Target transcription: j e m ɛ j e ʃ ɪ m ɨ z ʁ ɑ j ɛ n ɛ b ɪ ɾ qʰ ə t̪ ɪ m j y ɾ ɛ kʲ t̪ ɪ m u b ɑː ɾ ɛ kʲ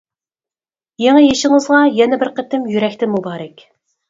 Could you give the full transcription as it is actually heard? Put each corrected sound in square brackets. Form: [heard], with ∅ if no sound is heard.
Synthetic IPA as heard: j e [ŋ] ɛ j e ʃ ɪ [ŋ] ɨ z ʁ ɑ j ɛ n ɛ b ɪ ɾ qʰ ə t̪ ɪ m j y ɾ ɛ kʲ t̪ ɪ m u b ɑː ɾ ɛ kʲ